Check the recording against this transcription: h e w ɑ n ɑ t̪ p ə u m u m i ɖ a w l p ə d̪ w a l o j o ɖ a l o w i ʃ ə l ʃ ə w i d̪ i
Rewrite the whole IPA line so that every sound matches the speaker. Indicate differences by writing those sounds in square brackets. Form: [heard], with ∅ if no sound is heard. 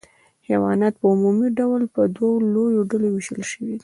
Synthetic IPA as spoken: h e w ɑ n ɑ t̪ p ə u m u m i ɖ a w l p ə d̪ w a l o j o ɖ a l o w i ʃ ə l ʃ ə w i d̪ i

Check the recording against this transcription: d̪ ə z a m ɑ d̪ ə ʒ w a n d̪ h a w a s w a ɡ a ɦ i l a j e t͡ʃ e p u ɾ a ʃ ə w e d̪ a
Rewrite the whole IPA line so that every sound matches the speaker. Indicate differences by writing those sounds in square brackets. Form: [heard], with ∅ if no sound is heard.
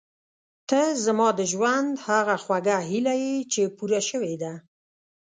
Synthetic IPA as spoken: [t̪] ə z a m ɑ d̪ ə ʒ w a n d̪ h a [ɣ] a [x] w a ɡ a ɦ i l a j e t͡ʃ e p u ɾ a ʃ ə w e d̪ a

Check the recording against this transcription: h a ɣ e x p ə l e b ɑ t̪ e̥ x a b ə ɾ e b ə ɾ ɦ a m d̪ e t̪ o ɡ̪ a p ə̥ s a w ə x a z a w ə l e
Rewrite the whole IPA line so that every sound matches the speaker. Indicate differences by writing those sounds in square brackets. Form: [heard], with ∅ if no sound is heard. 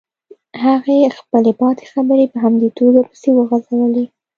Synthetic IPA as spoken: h a ɣ e x p ə l e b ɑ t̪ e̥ x a b ə ɾ e [p] ə [∅] ɦ a m d̪ e t̪ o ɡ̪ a p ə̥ s [e] w ə [ɣ] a z a w ə l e

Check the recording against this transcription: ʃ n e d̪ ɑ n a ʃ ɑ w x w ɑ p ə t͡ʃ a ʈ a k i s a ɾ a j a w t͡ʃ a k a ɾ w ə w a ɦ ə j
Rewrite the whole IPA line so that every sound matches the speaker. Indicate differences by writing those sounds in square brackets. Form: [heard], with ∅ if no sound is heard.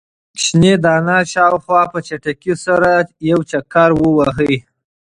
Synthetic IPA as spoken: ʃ n e d̪ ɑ n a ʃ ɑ w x w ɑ p ə t͡ʃ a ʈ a k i s a ɾ a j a w t͡ʃ a k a ɾ w ə w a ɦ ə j

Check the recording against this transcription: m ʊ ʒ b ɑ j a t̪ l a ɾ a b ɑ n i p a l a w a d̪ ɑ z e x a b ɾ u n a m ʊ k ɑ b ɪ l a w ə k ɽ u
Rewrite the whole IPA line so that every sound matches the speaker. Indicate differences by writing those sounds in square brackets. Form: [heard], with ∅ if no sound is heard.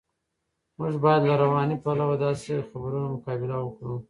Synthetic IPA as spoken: m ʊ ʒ b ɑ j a [d̪] l a ɾ a [w] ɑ n i p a l a w a d̪ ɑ [s] e x a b ɾ u n a m ʊ k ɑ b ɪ l a w ə k ɽ u

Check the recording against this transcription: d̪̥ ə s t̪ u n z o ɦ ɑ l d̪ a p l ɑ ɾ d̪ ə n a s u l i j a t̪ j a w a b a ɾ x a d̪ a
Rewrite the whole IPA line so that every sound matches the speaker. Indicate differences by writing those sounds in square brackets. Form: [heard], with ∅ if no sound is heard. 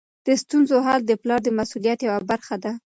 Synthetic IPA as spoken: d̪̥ ə s t̪ u n z o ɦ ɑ l d̪ [ə] p l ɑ ɾ d̪ ə [m] a s u l i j a t̪ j a w a b a ɾ x a d̪ a

